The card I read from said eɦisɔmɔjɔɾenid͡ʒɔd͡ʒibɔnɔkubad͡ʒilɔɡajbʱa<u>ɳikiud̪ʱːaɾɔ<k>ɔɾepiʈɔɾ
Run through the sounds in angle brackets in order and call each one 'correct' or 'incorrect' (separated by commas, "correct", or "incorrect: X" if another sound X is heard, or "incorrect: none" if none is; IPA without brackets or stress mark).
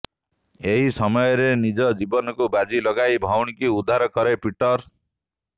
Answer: incorrect: w, correct